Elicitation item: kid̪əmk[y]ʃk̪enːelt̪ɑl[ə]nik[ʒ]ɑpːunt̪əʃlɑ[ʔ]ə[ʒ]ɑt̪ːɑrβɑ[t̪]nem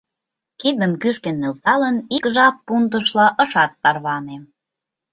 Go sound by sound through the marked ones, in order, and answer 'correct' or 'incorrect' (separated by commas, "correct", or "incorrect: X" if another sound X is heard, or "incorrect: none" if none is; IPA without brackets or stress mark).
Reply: correct, correct, correct, correct, incorrect: ʃ, incorrect: none